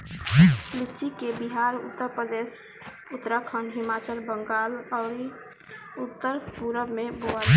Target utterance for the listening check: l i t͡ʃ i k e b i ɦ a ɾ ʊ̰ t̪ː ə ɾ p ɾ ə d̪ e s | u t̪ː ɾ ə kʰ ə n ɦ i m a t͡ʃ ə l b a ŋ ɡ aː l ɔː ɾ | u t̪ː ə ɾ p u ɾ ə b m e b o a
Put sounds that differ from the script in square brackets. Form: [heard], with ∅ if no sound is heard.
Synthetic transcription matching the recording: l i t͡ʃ i k e b i ɦ a ɾ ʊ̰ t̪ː ə ɾ p ɾ ə d̪ e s | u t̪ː ɾ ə kʰ ə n ɦ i m a t͡ʃ ə l b [ə] ŋ ɡ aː l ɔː ɾ | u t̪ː ə ɾ p u ɾ ə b m e b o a

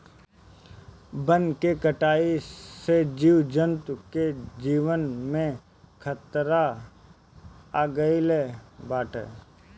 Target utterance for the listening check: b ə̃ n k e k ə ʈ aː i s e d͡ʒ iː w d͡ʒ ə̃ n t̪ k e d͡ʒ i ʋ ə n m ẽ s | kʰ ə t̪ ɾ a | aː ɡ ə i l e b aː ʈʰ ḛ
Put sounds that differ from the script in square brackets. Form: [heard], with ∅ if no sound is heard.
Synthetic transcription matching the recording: b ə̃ n k e k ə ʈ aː i s e d͡ʒ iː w d͡ʒ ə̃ n t̪ k e d͡ʒ [iː] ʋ ə n m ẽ [∅] | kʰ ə t̪ ɾ a | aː ɡ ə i l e b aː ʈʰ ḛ

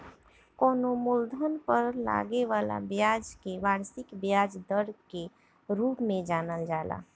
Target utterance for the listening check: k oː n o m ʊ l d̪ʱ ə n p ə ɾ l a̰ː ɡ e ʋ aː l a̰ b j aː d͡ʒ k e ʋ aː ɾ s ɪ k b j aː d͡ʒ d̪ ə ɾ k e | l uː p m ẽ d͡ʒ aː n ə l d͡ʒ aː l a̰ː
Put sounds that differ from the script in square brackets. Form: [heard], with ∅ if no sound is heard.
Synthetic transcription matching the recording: k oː n o m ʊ l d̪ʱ ə n p ə ɾ l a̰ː ɡ e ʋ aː l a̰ b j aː d͡ʒ k e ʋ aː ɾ s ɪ k b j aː d͡ʒ d̪ ə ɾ k e | [ɾ] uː p m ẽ d͡ʒ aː n ə l d͡ʒ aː l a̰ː

